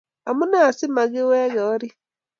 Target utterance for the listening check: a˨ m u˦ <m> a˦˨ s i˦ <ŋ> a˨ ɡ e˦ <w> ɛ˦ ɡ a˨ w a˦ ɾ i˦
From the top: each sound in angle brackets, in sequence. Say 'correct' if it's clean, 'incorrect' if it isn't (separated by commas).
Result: incorrect, incorrect, correct